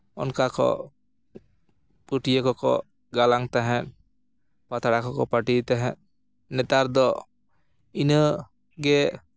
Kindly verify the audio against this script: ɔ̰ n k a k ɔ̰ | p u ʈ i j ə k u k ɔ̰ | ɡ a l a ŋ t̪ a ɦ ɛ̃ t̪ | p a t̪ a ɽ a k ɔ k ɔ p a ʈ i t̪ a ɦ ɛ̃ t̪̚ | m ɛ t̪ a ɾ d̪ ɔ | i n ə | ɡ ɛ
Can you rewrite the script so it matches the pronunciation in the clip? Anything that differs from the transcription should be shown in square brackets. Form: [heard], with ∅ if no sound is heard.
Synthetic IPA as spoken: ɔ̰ n k a k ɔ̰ | p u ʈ i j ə k [ɔ] k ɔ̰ | ɡ a l a ŋ t̪ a ɦ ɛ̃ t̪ | p a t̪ a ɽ a k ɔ k ɔ p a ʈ i t̪ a ɦ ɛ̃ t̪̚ | [n] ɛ t̪ a ɾ d̪ ɔ | i n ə | ɡ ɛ